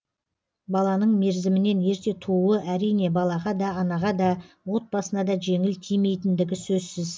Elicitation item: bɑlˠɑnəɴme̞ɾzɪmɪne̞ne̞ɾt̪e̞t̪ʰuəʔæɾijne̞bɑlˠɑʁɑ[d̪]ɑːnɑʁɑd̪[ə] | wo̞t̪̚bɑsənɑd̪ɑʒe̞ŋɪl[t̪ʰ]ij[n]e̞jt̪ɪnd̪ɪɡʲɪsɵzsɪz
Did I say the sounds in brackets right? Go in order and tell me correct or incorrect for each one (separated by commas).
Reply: correct, incorrect, correct, incorrect